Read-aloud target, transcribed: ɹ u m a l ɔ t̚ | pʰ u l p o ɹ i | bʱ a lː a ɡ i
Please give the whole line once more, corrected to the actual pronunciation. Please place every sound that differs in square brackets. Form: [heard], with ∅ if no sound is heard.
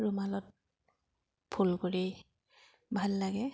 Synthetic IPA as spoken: ɹ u m a l ɔ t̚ | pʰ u l [k] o ɹ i | bʱ a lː a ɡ [ɛ]